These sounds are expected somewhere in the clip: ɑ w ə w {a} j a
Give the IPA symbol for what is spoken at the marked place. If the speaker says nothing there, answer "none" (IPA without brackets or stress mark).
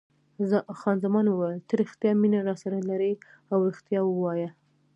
ɑ